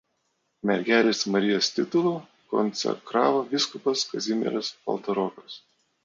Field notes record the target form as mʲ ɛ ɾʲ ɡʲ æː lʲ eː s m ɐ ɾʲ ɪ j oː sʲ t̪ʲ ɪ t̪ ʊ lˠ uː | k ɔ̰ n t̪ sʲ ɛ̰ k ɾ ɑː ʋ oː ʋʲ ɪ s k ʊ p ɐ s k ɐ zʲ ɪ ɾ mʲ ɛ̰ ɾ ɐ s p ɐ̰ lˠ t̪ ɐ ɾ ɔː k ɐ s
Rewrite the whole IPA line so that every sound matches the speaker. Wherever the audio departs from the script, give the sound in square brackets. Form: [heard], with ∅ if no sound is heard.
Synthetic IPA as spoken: mʲ ɛ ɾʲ ɡʲ æː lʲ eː s m ɐ ɾʲ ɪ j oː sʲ t̪ʲ ɪ t̪ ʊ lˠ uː | k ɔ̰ n t̪ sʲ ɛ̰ k ɾ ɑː ʋ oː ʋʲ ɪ s k ʊ p ɐ s k ɐ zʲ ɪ [∅] mʲ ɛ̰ ɾ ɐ s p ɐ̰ lˠ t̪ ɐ ɾ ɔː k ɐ s